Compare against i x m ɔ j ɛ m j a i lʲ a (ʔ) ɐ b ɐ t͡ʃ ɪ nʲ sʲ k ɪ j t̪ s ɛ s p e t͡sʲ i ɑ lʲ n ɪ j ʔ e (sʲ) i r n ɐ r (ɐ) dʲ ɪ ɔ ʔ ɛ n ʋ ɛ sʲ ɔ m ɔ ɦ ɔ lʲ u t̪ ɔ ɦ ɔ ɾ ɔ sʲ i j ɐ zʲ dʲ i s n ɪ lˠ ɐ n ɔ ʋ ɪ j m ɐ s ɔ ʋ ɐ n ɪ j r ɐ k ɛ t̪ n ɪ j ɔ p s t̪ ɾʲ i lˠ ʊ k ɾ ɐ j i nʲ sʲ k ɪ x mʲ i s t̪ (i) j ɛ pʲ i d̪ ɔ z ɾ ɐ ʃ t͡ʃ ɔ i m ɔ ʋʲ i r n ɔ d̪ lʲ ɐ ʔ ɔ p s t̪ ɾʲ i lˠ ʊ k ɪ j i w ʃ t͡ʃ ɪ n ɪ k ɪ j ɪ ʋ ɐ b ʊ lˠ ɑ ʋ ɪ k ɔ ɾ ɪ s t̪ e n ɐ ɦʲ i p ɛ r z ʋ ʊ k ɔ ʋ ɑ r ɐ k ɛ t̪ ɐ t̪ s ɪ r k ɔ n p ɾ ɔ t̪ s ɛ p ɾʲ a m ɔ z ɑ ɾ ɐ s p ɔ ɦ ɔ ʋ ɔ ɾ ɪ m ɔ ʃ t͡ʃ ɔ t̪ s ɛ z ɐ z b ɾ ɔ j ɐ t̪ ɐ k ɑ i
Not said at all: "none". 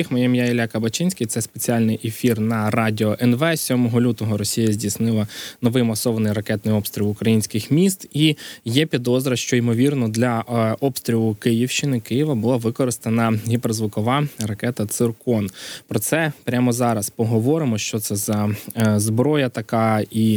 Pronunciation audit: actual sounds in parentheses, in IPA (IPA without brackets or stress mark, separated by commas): k, fʲ, ɑ, i